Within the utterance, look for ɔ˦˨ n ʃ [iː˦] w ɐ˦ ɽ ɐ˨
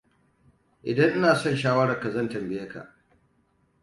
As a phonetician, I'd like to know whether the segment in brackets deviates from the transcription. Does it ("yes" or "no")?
yes